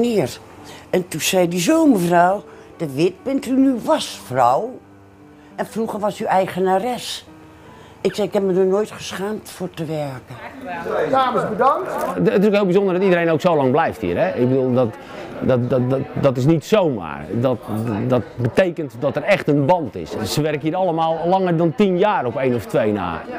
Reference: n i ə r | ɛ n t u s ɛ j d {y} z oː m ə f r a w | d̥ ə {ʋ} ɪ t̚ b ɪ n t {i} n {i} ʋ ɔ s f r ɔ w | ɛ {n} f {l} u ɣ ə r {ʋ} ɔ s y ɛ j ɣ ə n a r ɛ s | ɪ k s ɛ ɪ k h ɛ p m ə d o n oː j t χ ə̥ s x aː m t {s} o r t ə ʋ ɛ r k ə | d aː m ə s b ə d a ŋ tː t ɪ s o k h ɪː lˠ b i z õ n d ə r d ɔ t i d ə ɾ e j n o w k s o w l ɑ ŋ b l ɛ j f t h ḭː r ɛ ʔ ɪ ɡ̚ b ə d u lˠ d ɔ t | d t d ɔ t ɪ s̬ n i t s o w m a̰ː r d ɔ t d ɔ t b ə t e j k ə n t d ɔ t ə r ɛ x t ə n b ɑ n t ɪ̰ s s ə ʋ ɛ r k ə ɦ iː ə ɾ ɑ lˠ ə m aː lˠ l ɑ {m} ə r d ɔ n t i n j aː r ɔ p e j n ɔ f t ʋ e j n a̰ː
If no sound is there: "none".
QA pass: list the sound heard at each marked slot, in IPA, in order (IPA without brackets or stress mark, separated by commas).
i, ʋ, y, y, n, r, ʋ, f, ŋ